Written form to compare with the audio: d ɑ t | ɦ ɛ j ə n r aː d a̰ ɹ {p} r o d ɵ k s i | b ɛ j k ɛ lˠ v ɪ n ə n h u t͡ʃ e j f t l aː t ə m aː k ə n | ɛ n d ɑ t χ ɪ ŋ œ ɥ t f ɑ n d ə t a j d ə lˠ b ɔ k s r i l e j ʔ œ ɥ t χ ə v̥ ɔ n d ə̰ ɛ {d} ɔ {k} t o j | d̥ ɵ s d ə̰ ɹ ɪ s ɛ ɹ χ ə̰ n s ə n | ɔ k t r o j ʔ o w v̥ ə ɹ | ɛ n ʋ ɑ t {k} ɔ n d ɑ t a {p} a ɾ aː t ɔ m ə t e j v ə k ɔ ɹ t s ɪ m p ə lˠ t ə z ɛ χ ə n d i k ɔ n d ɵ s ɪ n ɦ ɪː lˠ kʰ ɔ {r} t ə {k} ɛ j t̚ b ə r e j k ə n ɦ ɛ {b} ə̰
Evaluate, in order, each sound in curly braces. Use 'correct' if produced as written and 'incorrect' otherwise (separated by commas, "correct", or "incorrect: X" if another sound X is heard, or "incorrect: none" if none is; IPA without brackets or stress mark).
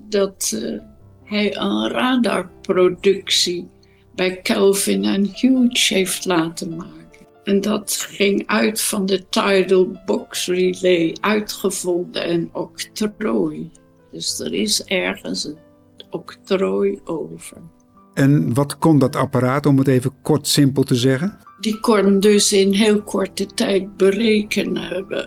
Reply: correct, incorrect: n, correct, correct, correct, incorrect: ɹ, incorrect: t, correct